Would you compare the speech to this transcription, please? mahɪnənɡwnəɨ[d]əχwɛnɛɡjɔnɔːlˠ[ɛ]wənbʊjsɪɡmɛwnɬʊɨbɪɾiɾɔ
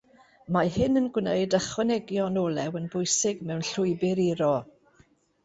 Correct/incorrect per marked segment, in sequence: correct, correct

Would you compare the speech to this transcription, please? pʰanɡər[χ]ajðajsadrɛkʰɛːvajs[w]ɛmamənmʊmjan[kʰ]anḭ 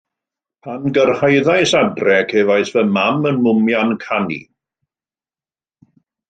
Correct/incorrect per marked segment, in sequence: incorrect: h, incorrect: v, correct

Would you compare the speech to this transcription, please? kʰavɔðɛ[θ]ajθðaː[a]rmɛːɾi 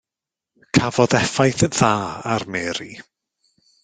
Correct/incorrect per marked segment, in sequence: incorrect: f, correct

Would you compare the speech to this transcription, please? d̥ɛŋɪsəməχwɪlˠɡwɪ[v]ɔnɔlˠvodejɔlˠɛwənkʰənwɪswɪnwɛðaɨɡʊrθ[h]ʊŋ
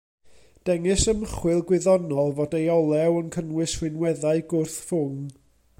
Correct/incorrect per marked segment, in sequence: incorrect: ð, incorrect: f

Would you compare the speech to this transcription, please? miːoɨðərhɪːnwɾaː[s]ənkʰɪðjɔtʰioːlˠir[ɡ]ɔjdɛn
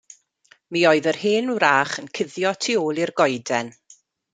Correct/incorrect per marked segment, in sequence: incorrect: χ, correct

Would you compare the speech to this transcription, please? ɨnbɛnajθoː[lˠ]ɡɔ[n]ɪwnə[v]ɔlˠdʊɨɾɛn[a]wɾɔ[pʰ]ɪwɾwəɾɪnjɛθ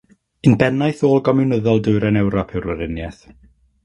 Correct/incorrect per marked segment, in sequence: correct, incorrect: m, incorrect: ð, incorrect: ɛ, correct

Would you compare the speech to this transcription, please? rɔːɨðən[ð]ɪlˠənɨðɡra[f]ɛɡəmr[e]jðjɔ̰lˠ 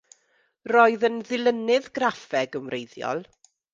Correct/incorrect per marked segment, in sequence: correct, correct, correct

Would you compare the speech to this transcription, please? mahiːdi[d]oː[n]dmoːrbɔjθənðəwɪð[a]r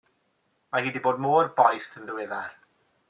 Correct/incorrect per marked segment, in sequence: incorrect: b, incorrect: none, correct

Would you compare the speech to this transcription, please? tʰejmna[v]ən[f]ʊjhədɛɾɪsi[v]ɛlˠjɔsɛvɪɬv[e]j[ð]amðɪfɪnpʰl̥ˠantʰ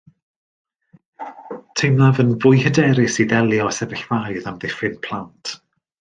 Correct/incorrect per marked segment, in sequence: correct, incorrect: v, incorrect: ð, incorrect: a, correct

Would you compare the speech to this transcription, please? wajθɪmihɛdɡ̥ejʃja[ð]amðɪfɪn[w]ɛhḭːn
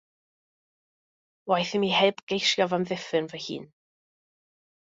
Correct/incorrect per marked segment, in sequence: incorrect: v, incorrect: v

